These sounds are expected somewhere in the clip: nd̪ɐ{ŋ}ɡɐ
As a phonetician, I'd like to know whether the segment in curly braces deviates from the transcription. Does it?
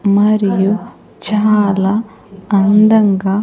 no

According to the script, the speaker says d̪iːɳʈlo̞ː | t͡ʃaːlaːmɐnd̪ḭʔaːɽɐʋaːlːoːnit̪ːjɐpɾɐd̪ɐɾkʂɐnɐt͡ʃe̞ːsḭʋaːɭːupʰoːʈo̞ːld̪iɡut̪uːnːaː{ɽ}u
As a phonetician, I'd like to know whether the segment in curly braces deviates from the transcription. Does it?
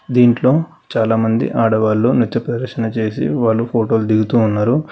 yes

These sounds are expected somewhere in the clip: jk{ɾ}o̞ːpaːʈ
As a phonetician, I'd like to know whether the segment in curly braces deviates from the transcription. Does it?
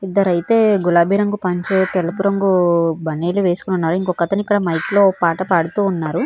yes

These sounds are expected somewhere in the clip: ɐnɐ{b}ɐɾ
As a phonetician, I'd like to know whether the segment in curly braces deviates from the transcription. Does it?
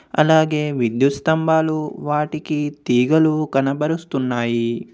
no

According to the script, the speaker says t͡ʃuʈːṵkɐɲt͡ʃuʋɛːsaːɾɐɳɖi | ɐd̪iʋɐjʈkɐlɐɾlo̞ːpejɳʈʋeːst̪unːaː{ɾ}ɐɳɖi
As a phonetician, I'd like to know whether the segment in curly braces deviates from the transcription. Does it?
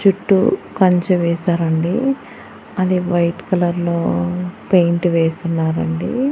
no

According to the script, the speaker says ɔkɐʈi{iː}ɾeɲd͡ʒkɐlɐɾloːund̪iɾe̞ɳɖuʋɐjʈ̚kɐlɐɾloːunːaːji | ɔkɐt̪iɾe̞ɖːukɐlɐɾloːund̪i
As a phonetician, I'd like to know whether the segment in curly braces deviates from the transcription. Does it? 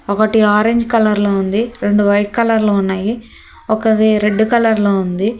yes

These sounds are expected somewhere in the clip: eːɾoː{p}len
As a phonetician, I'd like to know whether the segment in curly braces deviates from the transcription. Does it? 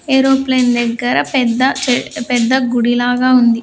no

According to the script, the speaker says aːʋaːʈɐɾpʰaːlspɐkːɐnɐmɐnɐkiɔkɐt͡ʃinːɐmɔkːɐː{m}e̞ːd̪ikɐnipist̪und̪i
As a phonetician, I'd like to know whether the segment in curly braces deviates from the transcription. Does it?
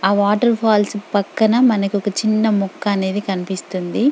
yes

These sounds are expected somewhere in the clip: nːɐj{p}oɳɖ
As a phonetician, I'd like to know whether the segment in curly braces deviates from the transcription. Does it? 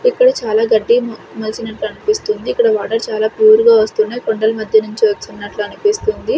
yes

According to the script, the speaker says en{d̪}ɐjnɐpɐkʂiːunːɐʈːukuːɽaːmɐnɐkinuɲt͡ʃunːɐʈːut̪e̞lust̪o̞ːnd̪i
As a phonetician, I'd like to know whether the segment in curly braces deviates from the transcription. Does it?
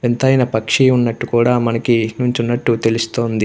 yes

